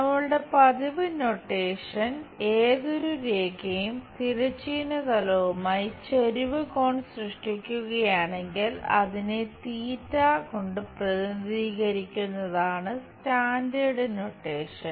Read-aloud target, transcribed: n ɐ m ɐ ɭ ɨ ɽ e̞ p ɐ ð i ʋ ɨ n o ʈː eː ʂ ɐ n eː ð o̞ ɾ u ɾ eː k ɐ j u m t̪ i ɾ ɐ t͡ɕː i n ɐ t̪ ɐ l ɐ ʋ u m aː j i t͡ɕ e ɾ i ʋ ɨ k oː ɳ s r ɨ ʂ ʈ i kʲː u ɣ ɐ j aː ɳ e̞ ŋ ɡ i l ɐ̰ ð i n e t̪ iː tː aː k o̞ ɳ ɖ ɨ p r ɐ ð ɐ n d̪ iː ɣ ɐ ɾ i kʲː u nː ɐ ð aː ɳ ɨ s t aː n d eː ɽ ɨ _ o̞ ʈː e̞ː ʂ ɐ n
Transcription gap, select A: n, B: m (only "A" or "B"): A